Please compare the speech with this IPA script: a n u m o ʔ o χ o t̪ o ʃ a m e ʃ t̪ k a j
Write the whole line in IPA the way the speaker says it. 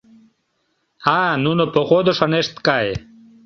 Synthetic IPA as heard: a n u n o p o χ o d̪ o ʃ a n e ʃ t̪ k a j